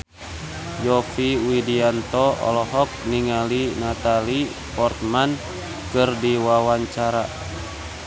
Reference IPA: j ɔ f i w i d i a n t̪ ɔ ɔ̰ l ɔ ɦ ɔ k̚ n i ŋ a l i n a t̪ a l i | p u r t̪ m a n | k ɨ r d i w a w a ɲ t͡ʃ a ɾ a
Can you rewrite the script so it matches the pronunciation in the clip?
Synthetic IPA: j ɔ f i w i d i a n t̪ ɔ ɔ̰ l ɔ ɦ ɔ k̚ n i ŋ a l i n a t̪ a l i | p ɔ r t̪ m a n | k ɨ r d i w a w a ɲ t͡ʃ a ɾ a